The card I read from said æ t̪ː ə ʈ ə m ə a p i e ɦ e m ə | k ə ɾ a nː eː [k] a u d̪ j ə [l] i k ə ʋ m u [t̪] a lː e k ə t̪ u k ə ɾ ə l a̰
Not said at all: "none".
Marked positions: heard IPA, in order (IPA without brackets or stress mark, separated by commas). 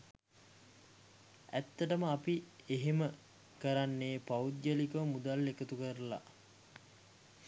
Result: p, l, d̪